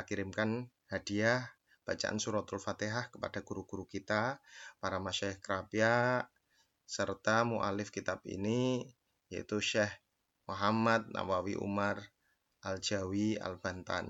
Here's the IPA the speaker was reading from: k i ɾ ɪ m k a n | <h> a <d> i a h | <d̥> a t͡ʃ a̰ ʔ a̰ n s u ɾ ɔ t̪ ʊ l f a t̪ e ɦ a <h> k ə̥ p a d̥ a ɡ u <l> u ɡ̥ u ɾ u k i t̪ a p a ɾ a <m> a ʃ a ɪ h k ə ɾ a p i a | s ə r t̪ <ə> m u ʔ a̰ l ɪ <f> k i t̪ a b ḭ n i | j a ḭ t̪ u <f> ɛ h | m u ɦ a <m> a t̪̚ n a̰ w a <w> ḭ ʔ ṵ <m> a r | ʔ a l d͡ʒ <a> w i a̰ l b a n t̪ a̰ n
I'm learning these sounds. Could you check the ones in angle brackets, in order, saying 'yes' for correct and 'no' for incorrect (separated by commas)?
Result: yes, yes, no, yes, no, yes, no, yes, no, yes, yes, yes, yes